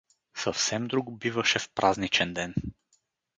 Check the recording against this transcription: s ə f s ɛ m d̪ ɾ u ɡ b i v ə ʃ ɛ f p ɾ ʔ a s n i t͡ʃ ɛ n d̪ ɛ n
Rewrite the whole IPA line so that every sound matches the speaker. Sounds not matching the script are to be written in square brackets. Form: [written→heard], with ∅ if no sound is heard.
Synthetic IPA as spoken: s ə f s ɛ m d̪ ɾ u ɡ b i v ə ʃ ɛ f p ɾ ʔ a [s→z] n i t͡ʃ ɛ n d̪ ɛ n